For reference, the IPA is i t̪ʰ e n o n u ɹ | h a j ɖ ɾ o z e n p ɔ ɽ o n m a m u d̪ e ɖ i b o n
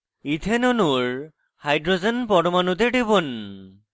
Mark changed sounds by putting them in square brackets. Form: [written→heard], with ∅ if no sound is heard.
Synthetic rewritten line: i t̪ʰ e n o n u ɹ | h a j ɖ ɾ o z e n p ɔ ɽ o [n→∅] m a [m→n] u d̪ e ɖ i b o n